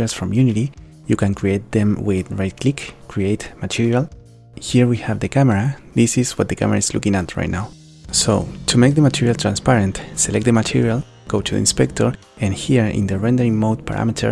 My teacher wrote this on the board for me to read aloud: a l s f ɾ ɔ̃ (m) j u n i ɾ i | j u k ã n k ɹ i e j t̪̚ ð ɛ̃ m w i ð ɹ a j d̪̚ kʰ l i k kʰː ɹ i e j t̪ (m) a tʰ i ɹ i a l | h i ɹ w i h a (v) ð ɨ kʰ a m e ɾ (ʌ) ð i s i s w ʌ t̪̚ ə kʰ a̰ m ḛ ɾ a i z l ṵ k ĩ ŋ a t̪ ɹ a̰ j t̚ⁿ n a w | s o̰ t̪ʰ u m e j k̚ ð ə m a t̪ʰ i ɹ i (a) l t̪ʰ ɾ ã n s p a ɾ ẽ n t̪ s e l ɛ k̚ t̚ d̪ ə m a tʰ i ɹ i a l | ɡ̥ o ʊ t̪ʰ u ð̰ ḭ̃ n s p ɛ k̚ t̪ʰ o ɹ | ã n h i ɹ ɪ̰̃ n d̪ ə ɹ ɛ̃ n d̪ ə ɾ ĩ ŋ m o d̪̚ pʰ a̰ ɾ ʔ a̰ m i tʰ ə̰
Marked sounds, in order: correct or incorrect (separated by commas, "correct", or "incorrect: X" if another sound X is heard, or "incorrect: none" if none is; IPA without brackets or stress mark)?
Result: correct, correct, correct, incorrect: a, correct